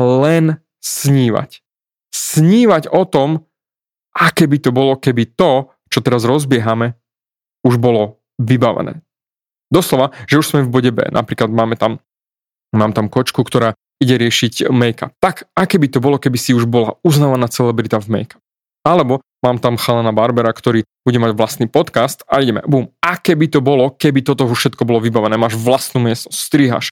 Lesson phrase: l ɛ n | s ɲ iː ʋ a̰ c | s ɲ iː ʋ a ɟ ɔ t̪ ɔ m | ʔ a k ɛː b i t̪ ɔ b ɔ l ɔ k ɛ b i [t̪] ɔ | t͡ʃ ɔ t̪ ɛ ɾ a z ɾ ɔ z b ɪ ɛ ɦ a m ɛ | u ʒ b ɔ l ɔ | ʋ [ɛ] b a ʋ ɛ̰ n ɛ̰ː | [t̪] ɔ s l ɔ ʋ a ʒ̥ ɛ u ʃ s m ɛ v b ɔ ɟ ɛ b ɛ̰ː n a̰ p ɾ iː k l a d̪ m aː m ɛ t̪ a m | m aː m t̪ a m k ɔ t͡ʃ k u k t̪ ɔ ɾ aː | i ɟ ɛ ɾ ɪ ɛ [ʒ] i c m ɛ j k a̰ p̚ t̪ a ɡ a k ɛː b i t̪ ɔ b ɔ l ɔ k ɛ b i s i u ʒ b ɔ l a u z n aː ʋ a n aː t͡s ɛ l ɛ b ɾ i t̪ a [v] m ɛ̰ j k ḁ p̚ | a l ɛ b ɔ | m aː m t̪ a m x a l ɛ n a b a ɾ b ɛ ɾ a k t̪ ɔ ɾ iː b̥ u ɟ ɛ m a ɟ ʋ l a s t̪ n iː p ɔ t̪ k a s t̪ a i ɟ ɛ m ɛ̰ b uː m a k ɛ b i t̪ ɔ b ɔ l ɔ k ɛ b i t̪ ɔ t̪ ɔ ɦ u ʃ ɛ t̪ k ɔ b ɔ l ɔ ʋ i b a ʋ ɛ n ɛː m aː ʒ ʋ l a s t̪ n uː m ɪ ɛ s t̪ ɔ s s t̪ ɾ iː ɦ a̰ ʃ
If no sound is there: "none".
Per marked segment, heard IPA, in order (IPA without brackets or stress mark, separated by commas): t̪, i, d̪, ʃ, v